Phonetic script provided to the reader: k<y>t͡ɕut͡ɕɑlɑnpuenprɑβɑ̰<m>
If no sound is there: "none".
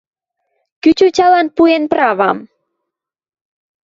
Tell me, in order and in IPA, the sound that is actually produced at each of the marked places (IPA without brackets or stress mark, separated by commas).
y, m